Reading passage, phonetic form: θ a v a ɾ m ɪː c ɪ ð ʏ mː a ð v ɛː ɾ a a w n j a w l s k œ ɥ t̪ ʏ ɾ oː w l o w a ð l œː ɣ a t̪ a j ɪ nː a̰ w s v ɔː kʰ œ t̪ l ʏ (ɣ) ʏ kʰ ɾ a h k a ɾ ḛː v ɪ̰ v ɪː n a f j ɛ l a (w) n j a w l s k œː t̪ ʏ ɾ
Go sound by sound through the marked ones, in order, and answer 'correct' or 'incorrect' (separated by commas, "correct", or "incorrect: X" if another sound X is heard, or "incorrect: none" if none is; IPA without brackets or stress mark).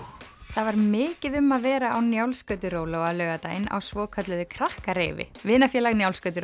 incorrect: ð, incorrect: ɣ